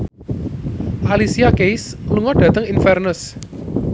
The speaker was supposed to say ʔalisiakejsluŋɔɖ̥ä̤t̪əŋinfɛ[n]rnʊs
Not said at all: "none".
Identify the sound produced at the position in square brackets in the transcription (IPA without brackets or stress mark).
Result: none